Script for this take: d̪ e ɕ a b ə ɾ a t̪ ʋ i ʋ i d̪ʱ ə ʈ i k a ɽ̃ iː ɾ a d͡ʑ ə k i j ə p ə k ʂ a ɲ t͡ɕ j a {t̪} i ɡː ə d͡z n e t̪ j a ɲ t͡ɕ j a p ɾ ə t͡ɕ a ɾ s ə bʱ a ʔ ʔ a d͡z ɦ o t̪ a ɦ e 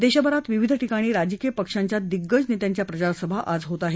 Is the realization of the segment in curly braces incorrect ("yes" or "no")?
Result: yes